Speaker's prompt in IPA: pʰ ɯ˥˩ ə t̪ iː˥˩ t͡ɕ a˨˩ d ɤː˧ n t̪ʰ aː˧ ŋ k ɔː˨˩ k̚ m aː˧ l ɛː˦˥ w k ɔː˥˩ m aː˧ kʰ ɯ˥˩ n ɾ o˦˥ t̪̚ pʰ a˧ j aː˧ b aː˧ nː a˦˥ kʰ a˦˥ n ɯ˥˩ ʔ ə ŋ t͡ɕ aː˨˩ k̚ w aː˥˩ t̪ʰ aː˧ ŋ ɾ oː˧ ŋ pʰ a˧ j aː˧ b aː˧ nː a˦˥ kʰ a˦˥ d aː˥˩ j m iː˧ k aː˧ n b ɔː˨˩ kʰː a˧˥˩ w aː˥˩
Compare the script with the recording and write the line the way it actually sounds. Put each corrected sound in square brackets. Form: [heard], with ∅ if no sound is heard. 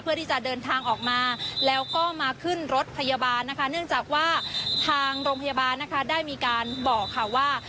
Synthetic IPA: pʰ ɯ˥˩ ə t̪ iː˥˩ t͡ɕ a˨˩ d ɤː˧ n t̪ʰ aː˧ ŋ [ʔ] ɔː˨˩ k̚ m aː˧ l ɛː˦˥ w k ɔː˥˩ m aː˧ kʰ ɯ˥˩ n ɾ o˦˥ t̪̚ pʰ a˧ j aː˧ b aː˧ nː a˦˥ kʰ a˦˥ n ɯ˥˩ [∅] ə ŋ t͡ɕ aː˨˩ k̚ w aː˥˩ t̪ʰ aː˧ ŋ ɾ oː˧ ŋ pʰ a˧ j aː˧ b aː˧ nː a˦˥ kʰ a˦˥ d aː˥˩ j m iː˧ k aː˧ n b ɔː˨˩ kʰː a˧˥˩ w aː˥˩